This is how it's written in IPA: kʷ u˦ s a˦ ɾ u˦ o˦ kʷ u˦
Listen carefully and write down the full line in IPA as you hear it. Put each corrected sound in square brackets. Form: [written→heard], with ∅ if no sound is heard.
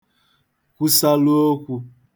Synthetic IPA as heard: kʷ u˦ s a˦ [ɾ→l] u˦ o˦ kʷ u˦